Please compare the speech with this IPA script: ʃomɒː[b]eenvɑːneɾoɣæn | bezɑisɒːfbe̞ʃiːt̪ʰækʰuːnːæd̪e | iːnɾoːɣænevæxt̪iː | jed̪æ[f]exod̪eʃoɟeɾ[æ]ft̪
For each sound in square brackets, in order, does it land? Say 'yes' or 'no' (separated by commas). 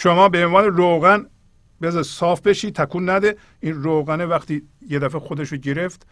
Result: yes, yes, no